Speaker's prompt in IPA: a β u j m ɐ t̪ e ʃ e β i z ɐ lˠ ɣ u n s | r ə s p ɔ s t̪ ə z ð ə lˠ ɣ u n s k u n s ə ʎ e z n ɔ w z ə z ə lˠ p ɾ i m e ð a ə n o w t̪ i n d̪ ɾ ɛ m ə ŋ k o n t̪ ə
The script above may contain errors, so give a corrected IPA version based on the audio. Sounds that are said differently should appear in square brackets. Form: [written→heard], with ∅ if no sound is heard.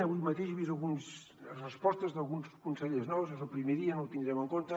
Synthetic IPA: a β u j m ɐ t̪ e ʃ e β i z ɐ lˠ ɣ u n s | r ə s p ɔ s t̪ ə z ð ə lˠ ɣ u n s k u n s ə ʎ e z n ɔ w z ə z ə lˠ p ɾ i m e ð [a→i] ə n o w t̪ i n d̪ ɾ ɛ m ə ŋ k o n t̪ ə